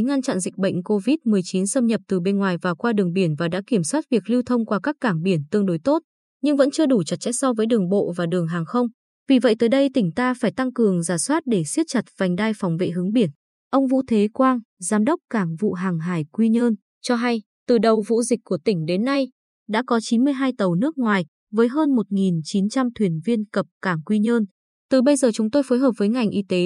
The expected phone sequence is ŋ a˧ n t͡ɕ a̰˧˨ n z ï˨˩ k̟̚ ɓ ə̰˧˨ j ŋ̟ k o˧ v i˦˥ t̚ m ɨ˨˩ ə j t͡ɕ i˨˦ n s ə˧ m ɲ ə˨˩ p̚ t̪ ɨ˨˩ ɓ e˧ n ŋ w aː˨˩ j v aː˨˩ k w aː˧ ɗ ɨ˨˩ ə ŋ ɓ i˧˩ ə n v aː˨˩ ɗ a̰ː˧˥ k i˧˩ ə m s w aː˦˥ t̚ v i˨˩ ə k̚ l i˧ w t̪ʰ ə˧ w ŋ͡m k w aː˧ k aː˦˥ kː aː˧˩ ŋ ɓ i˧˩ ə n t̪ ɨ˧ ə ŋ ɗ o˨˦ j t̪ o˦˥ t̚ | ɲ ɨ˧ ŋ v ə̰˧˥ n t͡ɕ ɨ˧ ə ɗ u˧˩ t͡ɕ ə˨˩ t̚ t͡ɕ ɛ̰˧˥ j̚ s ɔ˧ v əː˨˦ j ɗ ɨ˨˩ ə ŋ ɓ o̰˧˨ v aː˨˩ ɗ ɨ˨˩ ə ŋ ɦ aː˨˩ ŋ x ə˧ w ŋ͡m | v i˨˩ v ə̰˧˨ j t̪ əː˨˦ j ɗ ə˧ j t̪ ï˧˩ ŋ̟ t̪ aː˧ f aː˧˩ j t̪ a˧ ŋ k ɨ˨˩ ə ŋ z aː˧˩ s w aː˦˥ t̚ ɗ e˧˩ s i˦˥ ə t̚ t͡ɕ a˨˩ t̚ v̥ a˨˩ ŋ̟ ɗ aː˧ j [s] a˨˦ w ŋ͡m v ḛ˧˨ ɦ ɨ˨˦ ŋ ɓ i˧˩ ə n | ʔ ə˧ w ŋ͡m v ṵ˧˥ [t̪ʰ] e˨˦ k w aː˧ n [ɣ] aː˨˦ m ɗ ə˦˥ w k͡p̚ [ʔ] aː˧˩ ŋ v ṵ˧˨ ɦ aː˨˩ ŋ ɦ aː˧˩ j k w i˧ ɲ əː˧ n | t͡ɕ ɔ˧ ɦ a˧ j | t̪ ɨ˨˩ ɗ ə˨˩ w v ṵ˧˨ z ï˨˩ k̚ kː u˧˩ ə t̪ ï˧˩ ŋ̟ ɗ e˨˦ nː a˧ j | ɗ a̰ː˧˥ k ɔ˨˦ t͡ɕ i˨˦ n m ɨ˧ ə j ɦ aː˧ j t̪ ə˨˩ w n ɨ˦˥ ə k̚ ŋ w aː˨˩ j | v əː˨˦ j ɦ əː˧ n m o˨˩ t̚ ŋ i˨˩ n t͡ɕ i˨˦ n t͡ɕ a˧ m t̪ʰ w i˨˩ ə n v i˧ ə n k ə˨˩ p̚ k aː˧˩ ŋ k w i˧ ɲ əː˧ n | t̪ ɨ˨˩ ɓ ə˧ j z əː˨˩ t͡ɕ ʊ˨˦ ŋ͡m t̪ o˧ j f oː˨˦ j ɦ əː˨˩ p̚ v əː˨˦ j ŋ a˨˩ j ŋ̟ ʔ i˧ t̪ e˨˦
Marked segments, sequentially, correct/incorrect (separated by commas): incorrect, correct, incorrect, incorrect